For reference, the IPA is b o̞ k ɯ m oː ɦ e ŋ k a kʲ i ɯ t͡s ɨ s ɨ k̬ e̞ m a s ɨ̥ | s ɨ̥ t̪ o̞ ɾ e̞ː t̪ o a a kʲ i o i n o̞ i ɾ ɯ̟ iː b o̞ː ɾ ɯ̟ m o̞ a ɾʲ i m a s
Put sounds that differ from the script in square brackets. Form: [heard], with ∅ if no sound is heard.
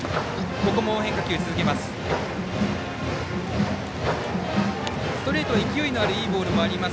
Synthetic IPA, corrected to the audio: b o̞ k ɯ m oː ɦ e ŋ k a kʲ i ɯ t͡s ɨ [z] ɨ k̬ e̞ m a s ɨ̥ | s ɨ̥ t̪ o̞ ɾ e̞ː t̪ o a [i] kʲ i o i n o̞ [a] ɾ ɯ̟ iː b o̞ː ɾ ɯ̟ m o̞ a ɾʲ i m a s